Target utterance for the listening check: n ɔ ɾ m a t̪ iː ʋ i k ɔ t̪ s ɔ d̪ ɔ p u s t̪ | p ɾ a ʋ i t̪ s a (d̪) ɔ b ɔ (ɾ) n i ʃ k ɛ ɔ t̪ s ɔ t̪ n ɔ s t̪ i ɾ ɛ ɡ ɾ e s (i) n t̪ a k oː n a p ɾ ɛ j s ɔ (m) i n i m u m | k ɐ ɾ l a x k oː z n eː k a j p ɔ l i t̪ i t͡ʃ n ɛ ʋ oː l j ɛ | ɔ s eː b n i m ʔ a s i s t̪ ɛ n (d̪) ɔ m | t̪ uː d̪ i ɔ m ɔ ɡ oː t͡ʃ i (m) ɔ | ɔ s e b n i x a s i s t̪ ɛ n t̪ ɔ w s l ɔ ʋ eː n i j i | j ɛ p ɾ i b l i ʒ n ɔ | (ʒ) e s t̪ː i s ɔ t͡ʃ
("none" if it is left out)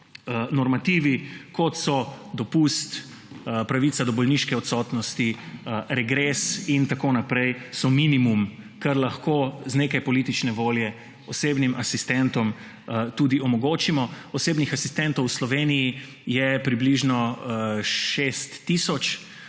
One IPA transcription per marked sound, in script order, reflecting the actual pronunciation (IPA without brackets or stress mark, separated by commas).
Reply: d̪, l, i, m, t̪, m, ʃ